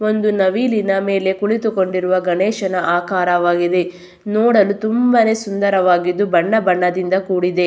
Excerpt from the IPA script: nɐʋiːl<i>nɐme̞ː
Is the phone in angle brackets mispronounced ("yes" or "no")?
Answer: no